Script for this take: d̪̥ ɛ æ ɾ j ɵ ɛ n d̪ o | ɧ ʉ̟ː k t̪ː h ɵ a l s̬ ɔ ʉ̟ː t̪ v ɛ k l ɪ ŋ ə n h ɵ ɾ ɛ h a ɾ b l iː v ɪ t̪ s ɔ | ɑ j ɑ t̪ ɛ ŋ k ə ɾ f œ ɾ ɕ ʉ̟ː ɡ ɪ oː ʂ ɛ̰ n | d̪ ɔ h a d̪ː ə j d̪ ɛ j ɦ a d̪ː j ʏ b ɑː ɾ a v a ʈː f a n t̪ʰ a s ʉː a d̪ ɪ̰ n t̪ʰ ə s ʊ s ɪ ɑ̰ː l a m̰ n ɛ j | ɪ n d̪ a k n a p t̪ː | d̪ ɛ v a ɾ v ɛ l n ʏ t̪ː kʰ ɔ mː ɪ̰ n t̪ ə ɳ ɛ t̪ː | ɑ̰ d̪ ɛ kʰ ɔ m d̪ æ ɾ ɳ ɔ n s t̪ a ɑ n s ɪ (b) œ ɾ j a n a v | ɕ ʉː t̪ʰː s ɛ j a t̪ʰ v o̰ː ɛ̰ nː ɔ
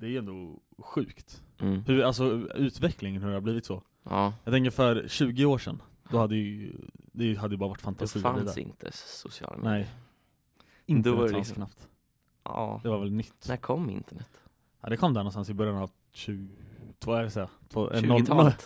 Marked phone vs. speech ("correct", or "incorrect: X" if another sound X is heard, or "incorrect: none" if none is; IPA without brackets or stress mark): correct